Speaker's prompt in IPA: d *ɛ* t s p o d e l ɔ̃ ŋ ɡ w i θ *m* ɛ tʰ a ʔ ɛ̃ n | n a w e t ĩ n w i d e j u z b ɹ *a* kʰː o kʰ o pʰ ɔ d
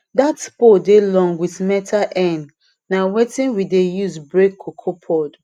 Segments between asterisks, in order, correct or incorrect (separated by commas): incorrect, correct, incorrect